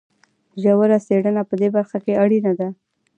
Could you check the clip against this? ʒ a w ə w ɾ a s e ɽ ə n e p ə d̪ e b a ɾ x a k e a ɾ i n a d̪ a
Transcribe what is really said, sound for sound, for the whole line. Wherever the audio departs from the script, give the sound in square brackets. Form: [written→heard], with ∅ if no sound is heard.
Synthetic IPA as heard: ʒ a w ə [w→∅] ɾ a s e ɽ ə n [e→a] p ə d̪ e b a ɾ x a k e a [ɾ→ɽ] i n a d̪ a